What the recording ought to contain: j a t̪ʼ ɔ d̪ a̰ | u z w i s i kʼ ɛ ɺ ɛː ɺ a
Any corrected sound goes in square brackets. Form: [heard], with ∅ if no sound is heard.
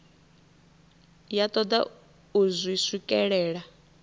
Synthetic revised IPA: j a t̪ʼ ɔ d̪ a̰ | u z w i s i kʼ ɛ ɺ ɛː ɺ a